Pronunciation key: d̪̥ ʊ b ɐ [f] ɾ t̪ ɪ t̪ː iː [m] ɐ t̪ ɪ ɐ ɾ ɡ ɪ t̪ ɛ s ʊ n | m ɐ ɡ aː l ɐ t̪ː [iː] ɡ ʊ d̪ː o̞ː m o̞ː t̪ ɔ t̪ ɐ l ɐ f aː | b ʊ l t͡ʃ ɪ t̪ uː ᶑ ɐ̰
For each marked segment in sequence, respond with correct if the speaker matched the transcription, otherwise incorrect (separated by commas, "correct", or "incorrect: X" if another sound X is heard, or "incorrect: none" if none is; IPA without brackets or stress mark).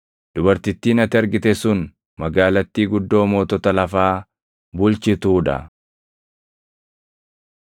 incorrect: none, incorrect: n, correct